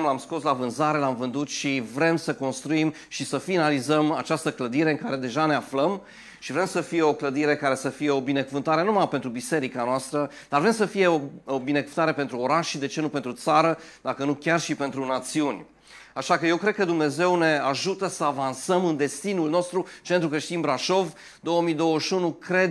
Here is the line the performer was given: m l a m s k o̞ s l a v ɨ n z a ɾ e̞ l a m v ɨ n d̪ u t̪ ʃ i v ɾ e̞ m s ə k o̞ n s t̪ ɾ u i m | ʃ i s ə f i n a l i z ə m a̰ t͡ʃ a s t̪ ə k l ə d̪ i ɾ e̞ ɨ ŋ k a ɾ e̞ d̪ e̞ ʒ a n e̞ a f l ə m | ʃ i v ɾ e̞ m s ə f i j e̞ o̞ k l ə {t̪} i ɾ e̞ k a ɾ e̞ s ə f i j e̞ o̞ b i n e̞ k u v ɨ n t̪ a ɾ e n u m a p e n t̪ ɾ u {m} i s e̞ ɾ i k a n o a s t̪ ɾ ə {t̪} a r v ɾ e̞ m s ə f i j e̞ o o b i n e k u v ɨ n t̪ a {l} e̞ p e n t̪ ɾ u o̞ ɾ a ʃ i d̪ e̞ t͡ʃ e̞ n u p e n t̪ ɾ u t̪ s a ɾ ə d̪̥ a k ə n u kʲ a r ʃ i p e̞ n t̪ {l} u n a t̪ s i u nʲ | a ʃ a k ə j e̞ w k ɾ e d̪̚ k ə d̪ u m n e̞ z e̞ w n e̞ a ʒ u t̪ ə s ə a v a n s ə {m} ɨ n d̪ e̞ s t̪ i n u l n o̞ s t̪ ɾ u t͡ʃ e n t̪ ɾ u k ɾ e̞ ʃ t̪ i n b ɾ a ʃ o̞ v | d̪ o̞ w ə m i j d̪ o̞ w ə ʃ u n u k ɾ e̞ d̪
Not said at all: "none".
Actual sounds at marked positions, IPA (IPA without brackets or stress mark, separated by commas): d̪, b, d̪, ɾ, ɾ, m